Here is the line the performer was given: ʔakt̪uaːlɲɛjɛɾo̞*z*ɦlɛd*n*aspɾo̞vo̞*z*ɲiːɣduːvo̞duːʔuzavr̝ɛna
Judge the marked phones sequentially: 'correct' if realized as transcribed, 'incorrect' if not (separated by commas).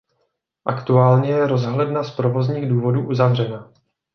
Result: correct, correct, correct